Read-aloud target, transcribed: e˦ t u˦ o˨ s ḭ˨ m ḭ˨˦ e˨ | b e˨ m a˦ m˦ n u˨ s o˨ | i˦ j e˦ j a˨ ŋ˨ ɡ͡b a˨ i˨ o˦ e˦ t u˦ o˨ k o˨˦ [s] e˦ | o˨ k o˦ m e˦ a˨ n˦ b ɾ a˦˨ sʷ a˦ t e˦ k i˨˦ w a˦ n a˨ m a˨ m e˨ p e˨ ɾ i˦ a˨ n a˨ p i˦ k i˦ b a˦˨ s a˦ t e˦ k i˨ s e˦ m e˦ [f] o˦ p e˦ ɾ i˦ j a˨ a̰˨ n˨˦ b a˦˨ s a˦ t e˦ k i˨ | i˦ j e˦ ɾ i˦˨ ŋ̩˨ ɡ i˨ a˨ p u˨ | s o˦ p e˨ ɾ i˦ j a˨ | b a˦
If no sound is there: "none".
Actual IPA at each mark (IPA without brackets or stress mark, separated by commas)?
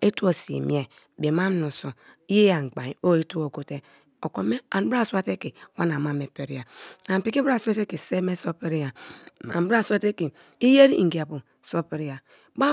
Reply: t, s